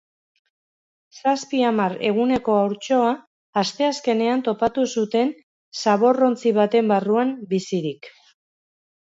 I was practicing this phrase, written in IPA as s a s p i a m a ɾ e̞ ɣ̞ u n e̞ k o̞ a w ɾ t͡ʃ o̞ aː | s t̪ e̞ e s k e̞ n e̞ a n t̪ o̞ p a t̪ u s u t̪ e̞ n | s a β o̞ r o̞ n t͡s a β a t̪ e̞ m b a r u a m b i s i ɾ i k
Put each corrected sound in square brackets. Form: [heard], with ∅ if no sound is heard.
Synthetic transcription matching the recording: s a s p i a m a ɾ e̞ ɣ̞ u n e̞ k o̞ a w ɾ t͡ʃ o̞ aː | s t̪ e̞ [a] s k e̞ n e̞ a n t̪ o̞ p a t̪ u s u t̪ e̞ n | s a β o̞ r o̞ n t͡s [i] β a t̪ e̞ m b a r u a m b i s i ɾ i k